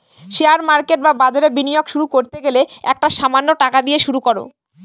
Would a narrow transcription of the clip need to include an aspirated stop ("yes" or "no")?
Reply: no